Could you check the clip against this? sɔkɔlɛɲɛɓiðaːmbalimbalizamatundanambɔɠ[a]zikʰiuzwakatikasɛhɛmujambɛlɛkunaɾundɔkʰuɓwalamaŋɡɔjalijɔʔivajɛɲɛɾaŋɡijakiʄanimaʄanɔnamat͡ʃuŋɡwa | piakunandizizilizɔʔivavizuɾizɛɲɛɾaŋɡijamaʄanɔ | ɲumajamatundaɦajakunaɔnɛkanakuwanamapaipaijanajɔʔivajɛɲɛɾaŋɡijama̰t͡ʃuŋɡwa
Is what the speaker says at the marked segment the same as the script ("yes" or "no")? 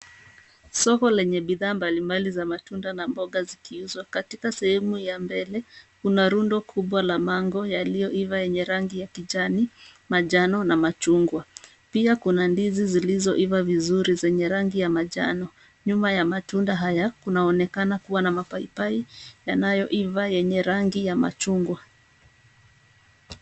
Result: yes